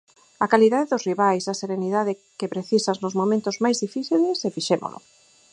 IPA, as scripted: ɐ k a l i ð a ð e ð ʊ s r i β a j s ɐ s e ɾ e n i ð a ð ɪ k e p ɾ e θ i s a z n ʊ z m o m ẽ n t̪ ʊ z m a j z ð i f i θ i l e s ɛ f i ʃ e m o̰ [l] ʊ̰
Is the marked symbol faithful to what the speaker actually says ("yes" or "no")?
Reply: yes